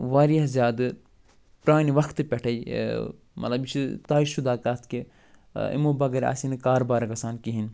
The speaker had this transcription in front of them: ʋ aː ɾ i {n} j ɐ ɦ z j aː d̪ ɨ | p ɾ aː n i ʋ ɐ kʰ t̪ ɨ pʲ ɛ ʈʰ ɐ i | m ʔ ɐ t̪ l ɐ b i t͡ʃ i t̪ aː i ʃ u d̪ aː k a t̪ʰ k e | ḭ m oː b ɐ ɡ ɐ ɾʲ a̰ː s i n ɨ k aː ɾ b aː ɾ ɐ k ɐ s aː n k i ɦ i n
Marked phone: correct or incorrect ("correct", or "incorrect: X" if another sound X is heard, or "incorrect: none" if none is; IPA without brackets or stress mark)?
incorrect: none